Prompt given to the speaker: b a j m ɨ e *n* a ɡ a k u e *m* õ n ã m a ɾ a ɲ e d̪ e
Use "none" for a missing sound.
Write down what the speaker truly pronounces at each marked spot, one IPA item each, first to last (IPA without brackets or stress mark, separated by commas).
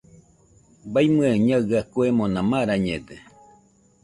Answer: ɲ, m